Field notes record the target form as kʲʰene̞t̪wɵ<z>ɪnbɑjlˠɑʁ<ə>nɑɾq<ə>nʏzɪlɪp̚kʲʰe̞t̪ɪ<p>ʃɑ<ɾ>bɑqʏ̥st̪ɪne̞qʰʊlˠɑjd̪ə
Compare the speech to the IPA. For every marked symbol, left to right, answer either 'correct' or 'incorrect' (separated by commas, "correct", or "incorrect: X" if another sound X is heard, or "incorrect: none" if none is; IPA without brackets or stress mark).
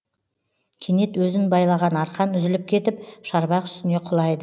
correct, incorrect: ɑ, incorrect: ɑ, correct, correct